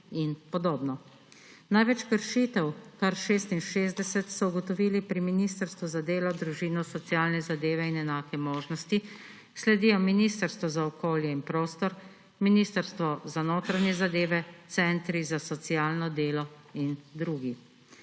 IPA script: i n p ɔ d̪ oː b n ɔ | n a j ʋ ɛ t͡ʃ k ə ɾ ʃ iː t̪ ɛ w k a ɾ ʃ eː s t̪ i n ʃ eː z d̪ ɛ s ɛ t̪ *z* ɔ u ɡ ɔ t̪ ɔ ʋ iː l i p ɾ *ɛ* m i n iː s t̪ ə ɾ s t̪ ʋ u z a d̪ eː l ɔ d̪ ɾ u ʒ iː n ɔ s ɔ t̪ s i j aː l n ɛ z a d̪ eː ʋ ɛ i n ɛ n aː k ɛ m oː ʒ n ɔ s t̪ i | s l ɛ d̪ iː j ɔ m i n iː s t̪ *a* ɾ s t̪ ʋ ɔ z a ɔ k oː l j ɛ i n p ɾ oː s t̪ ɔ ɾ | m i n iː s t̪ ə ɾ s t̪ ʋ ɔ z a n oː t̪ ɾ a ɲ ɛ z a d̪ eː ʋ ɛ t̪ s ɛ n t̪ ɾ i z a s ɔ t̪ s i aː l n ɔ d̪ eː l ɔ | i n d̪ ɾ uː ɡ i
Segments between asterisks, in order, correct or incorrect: incorrect, incorrect, incorrect

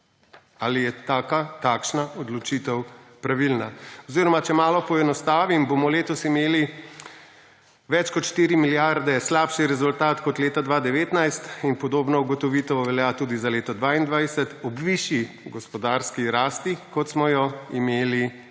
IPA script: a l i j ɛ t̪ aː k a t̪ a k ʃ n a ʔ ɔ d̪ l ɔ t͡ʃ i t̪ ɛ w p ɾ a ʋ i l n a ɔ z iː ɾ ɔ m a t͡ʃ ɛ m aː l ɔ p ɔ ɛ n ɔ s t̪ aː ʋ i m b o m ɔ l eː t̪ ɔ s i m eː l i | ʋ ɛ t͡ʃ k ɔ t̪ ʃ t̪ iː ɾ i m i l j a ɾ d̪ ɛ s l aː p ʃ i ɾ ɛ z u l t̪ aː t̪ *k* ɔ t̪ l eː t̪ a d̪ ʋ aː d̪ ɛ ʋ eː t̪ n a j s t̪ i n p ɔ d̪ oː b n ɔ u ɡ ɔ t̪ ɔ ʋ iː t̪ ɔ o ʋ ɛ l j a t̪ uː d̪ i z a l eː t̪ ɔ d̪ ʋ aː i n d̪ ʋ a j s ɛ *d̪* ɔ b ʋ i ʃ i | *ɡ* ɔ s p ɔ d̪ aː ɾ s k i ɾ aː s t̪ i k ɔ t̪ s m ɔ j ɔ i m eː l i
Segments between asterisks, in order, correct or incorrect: correct, incorrect, correct

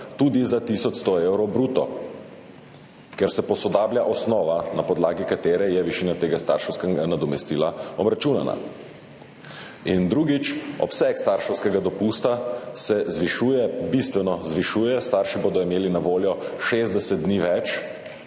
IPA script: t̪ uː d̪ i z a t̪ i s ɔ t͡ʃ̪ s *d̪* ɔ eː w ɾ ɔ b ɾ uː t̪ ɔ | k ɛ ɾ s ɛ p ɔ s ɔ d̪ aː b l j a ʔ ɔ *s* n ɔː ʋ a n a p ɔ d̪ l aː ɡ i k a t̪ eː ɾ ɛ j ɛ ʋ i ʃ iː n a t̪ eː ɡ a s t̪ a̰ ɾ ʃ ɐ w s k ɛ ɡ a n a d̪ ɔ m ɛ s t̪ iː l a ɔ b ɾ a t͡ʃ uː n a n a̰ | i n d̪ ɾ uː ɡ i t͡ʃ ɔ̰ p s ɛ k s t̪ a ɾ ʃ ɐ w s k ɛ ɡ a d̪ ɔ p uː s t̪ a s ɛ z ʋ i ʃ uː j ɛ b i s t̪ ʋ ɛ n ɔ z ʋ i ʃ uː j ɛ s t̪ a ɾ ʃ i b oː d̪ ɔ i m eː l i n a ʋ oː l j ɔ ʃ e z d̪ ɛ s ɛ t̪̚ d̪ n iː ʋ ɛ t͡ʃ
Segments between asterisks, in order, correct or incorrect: incorrect, correct

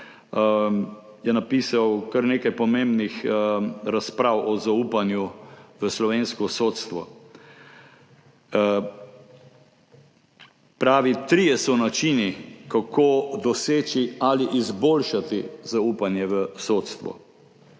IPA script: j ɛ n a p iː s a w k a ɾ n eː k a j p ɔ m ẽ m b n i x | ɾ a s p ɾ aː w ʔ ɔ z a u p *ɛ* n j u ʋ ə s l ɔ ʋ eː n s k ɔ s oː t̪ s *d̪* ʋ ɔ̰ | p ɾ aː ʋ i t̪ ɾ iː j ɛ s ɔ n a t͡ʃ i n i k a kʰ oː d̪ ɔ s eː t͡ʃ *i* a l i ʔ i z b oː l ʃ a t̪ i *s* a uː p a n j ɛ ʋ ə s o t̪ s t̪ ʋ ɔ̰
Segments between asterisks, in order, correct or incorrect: incorrect, incorrect, correct, incorrect

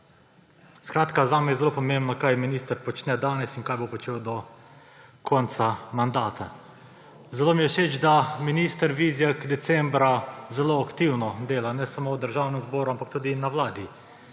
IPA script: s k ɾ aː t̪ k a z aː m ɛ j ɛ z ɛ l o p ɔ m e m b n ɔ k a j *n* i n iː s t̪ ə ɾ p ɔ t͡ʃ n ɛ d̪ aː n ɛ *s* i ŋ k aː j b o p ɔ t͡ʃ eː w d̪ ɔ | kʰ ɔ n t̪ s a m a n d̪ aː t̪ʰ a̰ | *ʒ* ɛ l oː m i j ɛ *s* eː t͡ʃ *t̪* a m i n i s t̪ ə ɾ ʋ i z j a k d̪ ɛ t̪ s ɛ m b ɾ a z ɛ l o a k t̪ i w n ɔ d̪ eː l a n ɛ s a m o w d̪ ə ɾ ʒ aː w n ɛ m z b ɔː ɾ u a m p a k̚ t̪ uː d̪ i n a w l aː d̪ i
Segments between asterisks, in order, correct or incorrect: incorrect, correct, incorrect, incorrect, incorrect

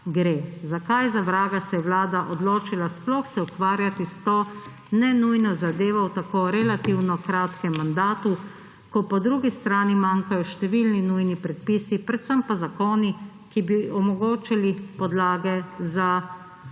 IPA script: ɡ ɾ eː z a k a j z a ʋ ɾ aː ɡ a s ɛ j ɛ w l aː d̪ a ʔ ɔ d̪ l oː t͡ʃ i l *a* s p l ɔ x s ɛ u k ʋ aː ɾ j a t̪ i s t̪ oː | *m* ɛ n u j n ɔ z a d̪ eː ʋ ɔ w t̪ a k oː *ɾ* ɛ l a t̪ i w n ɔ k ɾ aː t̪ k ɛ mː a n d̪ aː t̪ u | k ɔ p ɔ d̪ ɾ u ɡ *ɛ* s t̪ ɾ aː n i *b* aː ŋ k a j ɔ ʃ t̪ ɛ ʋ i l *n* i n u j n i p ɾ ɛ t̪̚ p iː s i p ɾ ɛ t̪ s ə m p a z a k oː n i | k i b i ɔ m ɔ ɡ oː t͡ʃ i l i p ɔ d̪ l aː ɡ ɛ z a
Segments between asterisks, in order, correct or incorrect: correct, incorrect, correct, incorrect, incorrect, correct

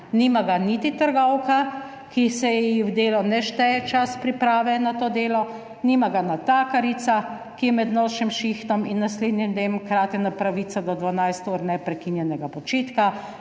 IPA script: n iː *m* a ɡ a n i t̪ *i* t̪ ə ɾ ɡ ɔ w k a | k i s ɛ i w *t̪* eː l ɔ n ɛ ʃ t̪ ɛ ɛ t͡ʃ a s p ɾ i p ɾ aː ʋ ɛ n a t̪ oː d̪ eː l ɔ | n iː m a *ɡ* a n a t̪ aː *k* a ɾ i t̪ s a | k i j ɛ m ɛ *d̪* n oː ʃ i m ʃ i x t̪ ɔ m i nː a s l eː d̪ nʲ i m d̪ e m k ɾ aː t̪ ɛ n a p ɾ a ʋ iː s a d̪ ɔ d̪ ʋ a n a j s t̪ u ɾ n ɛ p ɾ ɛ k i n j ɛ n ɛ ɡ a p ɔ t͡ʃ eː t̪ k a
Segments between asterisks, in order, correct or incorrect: correct, correct, incorrect, correct, correct, correct

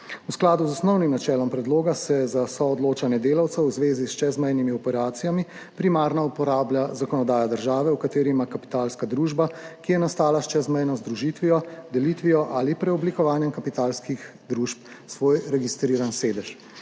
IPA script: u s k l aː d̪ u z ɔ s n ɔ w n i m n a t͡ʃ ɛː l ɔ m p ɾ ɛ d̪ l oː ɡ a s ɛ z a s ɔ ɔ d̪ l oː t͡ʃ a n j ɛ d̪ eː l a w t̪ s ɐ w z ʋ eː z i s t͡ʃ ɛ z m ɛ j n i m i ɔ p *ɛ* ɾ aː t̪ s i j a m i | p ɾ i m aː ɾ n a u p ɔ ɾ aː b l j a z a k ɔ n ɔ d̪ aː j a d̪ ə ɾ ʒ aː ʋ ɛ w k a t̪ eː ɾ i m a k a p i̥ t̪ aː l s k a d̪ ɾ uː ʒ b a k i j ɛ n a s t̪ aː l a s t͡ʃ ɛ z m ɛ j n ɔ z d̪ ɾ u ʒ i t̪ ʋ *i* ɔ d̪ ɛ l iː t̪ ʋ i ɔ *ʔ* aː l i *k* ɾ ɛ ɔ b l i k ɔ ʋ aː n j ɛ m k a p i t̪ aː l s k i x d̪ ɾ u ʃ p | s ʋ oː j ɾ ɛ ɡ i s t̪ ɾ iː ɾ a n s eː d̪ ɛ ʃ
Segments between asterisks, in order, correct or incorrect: correct, correct, correct, incorrect

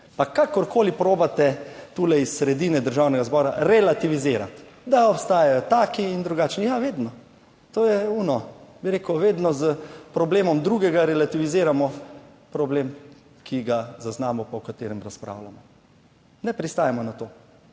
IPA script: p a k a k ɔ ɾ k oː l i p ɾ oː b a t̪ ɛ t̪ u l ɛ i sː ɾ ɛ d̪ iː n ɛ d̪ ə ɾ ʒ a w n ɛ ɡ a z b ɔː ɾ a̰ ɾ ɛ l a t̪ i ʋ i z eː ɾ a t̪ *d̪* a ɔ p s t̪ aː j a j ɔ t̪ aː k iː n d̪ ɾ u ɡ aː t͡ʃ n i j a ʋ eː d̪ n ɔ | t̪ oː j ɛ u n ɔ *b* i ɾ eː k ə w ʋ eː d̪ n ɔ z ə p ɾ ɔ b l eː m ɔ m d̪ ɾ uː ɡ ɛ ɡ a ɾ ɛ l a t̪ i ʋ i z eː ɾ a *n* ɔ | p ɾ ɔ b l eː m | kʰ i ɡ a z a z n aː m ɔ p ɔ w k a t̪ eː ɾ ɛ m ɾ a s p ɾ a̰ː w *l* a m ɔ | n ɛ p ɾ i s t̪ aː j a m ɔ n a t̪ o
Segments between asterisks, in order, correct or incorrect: correct, correct, incorrect, correct

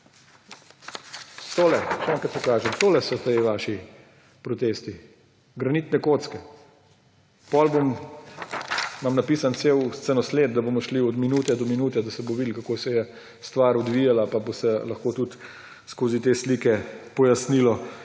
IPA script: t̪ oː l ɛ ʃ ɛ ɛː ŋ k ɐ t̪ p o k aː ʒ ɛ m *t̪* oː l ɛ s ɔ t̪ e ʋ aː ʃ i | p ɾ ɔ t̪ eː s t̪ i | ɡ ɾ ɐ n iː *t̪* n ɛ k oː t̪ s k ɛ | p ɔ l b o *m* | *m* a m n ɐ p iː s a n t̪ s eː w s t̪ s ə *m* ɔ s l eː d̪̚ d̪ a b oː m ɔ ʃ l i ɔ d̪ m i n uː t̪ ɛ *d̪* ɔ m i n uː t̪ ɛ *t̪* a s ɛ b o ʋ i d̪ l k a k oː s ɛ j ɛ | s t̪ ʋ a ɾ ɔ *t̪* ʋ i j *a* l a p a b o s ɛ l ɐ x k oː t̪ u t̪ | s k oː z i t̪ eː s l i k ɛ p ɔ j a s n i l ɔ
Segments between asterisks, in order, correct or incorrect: correct, correct, correct, correct, incorrect, correct, incorrect, incorrect, correct

